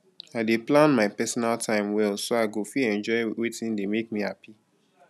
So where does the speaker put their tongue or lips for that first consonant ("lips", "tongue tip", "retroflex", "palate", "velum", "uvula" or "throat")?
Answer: tongue tip